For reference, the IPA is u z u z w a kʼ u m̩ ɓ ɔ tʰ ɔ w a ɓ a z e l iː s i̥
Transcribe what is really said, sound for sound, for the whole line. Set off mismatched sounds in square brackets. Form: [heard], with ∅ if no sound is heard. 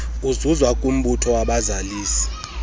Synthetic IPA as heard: u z u z w a kʼ u m̩ ɓ [u] tʰ ɔ w a ɓ a z [a] l iː s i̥